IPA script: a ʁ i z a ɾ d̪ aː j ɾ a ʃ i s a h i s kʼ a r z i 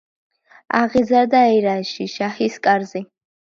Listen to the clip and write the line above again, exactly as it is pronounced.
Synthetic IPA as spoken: a ʁ i z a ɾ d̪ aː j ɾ a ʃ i ʃ a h i s kʼ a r z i